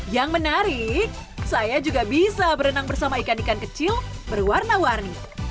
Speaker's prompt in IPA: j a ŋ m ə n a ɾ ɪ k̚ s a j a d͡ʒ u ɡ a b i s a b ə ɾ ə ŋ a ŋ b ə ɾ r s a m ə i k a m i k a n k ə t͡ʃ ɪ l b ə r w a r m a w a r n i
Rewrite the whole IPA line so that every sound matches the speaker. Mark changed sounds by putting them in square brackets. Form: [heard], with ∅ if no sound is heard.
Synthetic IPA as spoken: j a ŋ m ə n a ɾ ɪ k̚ s a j a d͡ʒ u ɡ a b i s a b ə ɾ ə [n] a ŋ b ə [∅] r s a m [a] i k a [n] i k a n k ə t͡ʃ ɪ l b ə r w a r [n] a w a r n i

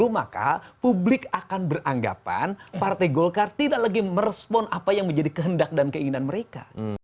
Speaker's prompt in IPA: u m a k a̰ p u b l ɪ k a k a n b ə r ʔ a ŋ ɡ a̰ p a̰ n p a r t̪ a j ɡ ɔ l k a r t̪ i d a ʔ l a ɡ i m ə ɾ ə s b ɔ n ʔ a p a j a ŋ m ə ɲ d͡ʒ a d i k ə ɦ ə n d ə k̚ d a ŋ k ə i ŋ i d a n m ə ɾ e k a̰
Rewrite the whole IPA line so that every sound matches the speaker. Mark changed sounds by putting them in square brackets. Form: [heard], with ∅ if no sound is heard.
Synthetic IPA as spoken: u m a k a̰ p u b l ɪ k a k a n b ə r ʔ a ŋ ɡ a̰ p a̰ n p a r t̪ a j ɡ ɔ l k a r t̪ i d a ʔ l a ɡ i m ə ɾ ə s [p] ɔ n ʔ a p a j a ŋ m ə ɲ d͡ʒ a d i k ə ɦ ə n d [a] k̚ d a [n] k ə i ŋ i [n] a n m ə ɾ e k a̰

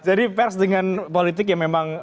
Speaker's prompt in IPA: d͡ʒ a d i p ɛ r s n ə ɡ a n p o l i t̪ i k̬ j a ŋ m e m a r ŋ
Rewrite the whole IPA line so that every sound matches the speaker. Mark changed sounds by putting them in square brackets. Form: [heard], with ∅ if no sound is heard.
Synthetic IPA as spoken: d͡ʒ a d i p ɛ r s [d] ə [ŋ] a n p o l i t̪ [ɪ] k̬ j a ŋ m e m a [∅] ŋ

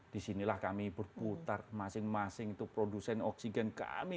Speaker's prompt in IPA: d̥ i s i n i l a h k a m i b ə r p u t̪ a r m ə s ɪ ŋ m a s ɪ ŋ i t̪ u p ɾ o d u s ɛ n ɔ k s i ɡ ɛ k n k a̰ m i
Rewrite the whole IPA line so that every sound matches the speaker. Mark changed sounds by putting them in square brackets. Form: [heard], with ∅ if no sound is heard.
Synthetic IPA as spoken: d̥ i s i n i l a h k a m i b ə r p u t̪ a r m [a] s ɪ ŋ m a s ɪ ŋ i t̪ u p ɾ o d u s ɛ n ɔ k s i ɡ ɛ [∅] n k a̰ m i

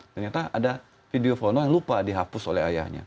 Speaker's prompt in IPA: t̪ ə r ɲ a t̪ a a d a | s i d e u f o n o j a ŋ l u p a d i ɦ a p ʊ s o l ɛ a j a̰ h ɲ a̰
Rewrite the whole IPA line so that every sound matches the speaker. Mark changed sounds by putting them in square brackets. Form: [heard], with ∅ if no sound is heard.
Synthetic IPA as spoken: t̪ ə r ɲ a t̪ a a d a | [f] i d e [o] f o n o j a ŋ l u p a d i ɦ a p ʊ s o l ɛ a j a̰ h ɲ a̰

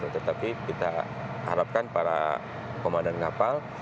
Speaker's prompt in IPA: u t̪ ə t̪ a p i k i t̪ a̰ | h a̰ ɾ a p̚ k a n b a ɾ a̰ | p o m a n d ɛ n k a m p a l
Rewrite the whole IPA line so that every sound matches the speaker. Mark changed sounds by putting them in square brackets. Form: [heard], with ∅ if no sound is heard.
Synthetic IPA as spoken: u t̪ ə t̪ a p i k i t̪ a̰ | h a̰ ɾ a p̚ k a n [p] a ɾ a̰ | [k] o m a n d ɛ n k a [∅] p a l

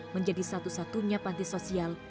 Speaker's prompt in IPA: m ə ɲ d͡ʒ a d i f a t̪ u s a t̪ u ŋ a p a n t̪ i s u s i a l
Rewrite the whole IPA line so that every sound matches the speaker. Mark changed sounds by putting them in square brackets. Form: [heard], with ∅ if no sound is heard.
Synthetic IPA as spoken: m ə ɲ d͡ʒ a d i [s] a t̪ u s a t̪ u [ɲ] a p a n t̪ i s [o] s i a l

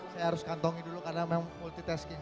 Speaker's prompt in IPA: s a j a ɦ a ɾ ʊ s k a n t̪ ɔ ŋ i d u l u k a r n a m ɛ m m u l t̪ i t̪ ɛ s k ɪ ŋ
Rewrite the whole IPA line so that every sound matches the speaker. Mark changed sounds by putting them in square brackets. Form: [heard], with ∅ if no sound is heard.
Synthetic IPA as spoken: s a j a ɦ a ɾ ʊ s k a n t̪ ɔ ŋ i d u l u k a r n a m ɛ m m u l t̪ i t̪ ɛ s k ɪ ŋ

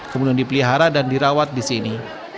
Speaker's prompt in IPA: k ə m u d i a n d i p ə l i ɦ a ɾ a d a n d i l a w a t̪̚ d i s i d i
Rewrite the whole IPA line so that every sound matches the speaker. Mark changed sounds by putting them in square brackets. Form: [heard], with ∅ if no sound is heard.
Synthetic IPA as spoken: k ə m u d i a n d i p ə l i ɦ a ɾ a d a n d i [ɾ] a w a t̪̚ d i s i [n] i

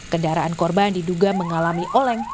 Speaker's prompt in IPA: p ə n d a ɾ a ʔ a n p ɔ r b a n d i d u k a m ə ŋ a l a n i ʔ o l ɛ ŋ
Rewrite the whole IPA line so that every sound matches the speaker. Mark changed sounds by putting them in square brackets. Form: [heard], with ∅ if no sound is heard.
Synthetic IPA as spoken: [k] ə n d a ɾ a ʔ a n [k] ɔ r b a n d i d u [ɡ] a m ə ŋ a l a [m] i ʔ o l ɛ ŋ

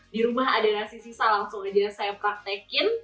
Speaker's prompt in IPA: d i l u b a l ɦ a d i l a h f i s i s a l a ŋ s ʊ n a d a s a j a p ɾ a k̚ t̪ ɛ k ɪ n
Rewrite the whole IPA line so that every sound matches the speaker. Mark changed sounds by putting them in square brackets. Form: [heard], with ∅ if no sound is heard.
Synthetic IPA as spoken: d i [ɾ] u [m] a [∅] ɦ a d [a] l a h [s] i s i s a l a ŋ s ʊ [ŋ] a [d͡ʒ] a s a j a p ɾ a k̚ t̪ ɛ k ɪ n

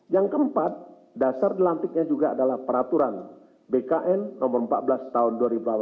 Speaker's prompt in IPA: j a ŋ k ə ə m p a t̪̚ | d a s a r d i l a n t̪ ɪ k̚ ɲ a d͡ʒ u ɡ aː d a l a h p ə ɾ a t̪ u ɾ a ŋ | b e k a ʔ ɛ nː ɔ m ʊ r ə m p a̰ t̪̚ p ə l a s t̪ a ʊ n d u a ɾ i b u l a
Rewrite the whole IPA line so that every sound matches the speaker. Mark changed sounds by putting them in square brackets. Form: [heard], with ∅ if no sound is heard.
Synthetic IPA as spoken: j a ŋ k ə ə m p a t̪̚ | d a s a r d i l a n t̪ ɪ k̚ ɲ a d͡ʒ u ɡ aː d a l a h p ə ɾ a t̪ u ɾ a [n] | b e k a ʔ ɛ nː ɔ m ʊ r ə m p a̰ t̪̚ [b] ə l a s t̪ a ʊ n d u a ɾ i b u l a

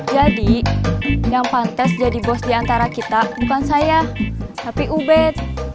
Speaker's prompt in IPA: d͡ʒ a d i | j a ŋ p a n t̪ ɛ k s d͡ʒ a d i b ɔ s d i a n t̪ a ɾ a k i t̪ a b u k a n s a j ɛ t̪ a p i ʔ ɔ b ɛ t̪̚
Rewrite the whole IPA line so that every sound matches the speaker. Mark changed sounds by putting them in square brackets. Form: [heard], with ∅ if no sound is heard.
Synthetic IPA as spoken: d͡ʒ a d i | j a ŋ p a n t̪ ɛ [∅] s d͡ʒ a d i b ɔ s d i a n t̪ a ɾ a k i t̪ a b u k a n s a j [a] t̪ a p i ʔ [u] b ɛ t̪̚

